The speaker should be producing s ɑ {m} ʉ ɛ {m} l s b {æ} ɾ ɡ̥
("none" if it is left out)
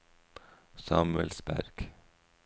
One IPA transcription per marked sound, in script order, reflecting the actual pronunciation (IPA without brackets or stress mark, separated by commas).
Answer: m, none, æ